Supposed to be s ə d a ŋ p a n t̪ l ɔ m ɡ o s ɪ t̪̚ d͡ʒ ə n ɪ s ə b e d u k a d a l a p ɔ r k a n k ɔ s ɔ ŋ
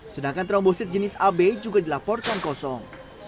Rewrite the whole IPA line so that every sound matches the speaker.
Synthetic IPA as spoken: s ə d a ŋ k a n t̪ ɾ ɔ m b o s ɪ t̪̚ d͡ʒ ə n ɪ s a b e d͡ʒ u ɡ a d i l a p ɔ r k a n k ɔ s ɔ ŋ